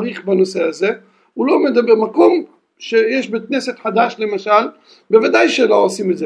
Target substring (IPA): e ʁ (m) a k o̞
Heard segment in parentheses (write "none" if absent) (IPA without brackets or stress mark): m